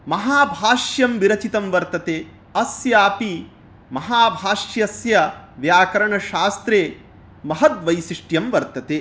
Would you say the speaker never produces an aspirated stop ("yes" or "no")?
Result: yes